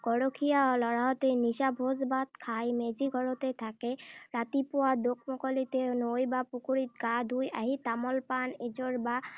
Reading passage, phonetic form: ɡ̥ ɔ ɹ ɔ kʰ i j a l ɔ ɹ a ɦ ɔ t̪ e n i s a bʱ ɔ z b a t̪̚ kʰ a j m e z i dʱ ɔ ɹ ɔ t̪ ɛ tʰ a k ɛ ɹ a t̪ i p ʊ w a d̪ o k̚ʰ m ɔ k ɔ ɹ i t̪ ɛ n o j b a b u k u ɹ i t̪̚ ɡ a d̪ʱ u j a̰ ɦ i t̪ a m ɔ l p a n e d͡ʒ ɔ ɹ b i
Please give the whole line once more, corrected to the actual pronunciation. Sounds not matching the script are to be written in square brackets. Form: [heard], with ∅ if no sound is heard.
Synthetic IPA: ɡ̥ ɔ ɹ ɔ kʰ i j a l ɔ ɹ a ɦ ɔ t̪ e n i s a bʱ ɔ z b a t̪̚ kʰ a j m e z i [ɡʱ] ɔ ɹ ɔ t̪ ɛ tʰ a k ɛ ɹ a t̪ i p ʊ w a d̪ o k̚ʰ m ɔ k ɔ [l] i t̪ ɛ n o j b a [p] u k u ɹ i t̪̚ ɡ a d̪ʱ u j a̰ ɦ i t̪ a m ɔ l p a n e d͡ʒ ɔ ɹ b [a]